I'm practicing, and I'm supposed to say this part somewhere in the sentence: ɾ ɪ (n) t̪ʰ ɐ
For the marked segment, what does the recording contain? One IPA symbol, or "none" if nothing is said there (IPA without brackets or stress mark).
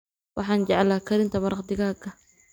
n